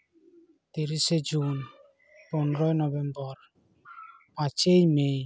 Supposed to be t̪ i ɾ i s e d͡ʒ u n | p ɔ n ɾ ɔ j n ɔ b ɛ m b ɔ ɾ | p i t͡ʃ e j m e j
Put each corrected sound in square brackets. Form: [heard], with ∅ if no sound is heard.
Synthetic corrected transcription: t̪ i ɾ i s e d͡ʒ u n | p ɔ n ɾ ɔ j n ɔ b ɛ m b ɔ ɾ | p [a] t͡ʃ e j m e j